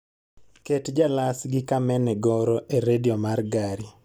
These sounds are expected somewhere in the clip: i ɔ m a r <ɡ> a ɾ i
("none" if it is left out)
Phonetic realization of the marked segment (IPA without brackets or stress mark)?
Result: ɡ